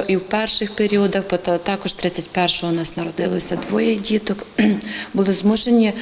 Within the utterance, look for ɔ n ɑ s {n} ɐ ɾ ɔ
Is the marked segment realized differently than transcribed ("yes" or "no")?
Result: no